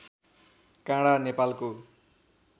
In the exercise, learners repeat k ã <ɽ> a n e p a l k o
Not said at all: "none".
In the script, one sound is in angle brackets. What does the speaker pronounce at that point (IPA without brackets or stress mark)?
ɽ